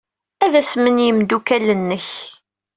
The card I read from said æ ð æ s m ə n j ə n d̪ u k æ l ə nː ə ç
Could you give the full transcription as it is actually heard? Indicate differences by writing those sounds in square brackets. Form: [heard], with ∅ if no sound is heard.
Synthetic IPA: æ ð æ s m ə n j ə [m] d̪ u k æ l ə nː ə ç